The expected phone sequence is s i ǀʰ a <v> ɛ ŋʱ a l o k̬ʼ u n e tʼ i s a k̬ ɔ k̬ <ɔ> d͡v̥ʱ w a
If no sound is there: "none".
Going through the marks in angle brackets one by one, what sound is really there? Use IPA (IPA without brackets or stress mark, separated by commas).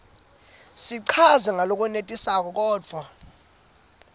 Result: z, ɔː